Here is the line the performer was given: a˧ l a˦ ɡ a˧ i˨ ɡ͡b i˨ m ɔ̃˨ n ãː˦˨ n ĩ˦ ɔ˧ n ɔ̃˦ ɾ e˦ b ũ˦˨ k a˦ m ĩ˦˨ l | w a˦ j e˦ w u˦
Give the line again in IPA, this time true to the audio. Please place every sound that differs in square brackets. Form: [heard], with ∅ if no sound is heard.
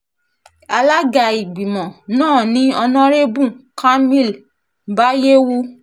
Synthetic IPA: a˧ l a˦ ɡ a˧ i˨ ɡ͡b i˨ m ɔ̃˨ n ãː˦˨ n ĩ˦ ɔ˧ n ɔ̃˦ ɾ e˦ b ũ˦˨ k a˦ m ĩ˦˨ l | [b] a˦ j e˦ w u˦